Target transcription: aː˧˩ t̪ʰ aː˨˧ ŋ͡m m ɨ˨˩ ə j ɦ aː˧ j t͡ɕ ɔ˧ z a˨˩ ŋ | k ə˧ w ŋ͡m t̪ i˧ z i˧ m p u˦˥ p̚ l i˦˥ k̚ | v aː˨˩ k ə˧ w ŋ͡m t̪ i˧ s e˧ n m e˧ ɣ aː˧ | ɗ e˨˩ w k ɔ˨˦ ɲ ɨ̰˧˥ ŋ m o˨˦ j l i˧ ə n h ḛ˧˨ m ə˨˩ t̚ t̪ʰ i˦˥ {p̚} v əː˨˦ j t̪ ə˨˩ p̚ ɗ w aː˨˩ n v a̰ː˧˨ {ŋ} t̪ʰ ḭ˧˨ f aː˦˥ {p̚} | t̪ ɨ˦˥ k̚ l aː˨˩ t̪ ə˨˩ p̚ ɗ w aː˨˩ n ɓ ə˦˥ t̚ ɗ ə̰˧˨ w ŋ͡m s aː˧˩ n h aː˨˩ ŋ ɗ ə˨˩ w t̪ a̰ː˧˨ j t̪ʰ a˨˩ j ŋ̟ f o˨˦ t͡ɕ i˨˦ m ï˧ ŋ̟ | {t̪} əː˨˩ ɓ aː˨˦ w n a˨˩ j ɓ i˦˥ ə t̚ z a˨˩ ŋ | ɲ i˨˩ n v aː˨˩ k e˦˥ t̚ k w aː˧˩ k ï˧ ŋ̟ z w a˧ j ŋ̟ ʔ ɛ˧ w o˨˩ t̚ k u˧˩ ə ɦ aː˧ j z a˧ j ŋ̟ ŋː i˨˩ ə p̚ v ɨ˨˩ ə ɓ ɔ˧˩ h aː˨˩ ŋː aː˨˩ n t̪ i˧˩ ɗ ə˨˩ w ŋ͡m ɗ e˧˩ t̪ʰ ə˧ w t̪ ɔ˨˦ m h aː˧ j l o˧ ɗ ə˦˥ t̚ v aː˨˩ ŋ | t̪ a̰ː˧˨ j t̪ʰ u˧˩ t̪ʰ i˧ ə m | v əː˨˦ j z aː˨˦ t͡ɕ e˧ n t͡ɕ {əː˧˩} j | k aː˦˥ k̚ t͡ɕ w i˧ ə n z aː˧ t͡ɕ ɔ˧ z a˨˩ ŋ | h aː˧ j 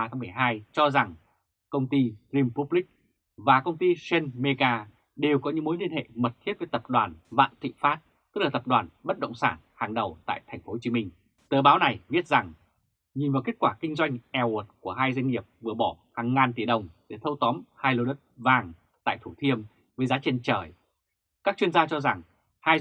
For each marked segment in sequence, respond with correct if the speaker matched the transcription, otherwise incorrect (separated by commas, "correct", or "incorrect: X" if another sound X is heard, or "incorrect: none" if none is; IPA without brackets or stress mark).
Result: incorrect: t̚, incorrect: n, incorrect: t̚, correct, correct